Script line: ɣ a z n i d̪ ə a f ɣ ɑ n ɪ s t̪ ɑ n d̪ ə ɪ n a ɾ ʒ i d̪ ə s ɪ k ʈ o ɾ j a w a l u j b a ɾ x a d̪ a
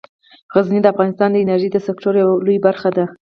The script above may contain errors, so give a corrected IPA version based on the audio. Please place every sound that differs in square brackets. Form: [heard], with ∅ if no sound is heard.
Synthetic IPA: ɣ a z n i d̪ ə a f ɣ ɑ n ɪ s t̪ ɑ n d̪ ə ɪ n a ɾ ʒ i d̪ ə s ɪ k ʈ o ɾ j a w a l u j b a ɾ x a d̪ a